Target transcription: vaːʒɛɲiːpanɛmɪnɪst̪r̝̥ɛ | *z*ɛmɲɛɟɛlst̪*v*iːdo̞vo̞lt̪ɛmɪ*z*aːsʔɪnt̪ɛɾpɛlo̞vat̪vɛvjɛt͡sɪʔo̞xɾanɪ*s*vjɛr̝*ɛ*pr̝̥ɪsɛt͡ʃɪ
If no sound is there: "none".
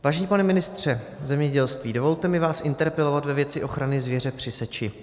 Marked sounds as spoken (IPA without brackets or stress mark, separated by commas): z, v, v, z, ɛ